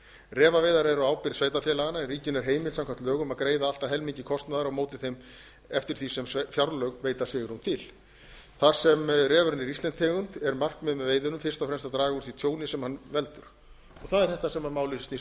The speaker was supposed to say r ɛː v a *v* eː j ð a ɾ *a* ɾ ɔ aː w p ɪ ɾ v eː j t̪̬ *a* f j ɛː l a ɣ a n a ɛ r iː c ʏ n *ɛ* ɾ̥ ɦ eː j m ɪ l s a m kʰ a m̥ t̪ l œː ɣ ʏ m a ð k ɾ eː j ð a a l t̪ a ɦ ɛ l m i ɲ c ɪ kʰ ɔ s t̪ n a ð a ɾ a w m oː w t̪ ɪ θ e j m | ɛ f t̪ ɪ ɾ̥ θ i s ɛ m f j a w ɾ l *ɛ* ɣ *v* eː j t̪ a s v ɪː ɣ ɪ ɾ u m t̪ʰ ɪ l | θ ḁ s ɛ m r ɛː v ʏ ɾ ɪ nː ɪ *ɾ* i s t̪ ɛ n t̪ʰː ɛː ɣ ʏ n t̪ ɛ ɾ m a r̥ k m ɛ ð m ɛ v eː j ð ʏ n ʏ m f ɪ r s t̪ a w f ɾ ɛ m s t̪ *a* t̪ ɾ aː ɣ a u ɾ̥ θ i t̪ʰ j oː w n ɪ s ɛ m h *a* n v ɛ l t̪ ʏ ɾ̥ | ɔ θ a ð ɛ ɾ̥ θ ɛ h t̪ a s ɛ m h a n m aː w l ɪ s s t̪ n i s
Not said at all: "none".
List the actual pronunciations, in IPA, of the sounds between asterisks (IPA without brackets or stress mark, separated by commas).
v, ɛ, a, ɛ, œ, v, ɾ, a, a